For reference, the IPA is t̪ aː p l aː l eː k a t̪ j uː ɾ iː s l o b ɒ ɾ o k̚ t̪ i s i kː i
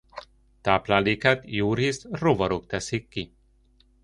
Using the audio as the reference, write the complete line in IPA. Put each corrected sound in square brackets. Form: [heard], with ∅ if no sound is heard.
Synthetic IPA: t̪ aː p l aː l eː k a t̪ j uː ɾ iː s [r] o [v] ɒ ɾ o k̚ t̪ [ɛ] s i kː i